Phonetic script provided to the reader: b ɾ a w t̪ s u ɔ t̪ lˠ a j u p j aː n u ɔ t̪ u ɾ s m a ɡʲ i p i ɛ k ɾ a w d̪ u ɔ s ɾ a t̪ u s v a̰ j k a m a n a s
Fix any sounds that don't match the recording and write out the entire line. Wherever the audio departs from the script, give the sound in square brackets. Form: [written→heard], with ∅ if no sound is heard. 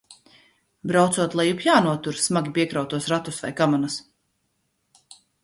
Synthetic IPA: b ɾ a w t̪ s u ɔ t̪ lˠ a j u p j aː n u ɔ t̪ u ɾ s m a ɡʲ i p i ɛ k ɾ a w [d̪→t̪] u ɔ s ɾ a t̪ u s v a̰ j k a m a n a s